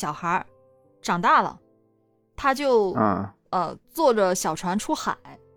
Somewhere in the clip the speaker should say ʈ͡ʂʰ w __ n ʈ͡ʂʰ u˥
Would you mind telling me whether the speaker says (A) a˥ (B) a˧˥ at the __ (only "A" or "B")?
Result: B